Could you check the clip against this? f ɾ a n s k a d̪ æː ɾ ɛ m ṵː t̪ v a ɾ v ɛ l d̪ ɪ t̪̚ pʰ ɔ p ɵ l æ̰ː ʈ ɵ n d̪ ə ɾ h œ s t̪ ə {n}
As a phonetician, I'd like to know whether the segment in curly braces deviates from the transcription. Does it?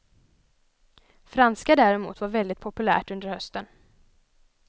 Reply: no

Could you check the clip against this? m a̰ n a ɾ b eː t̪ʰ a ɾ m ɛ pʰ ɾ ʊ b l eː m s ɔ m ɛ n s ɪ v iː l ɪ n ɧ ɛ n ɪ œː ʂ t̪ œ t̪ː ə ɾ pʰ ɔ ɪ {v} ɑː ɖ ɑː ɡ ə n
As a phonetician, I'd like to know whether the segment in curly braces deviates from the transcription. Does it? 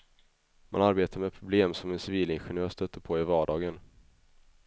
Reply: no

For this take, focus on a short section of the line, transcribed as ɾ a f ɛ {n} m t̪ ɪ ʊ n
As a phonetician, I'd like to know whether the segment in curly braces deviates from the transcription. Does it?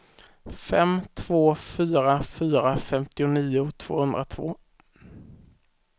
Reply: yes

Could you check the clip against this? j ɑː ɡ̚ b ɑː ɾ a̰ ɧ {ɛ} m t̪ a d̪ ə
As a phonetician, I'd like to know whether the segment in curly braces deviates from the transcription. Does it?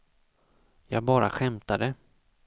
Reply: no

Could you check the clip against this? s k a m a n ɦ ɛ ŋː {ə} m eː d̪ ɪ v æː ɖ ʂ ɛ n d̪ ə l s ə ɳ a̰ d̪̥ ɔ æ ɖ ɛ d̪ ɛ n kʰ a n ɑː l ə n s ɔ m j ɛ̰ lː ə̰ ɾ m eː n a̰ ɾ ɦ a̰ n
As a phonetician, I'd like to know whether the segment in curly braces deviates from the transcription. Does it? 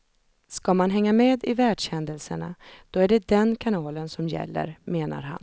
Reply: yes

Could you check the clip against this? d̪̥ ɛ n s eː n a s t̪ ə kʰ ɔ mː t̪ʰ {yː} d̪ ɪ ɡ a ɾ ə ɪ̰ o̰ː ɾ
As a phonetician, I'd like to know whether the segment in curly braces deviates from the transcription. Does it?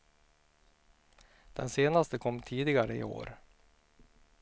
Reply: yes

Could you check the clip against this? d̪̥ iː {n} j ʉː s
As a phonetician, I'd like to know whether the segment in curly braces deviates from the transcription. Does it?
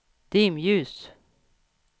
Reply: yes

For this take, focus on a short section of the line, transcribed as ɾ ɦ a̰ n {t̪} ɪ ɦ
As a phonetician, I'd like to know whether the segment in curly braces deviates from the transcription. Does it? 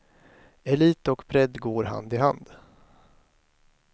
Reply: yes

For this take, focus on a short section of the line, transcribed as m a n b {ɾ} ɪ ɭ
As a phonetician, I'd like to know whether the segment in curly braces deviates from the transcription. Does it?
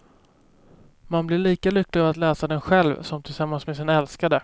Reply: yes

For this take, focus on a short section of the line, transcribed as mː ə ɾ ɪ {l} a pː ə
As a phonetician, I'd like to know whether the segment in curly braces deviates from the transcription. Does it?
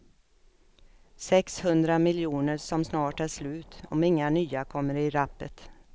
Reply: yes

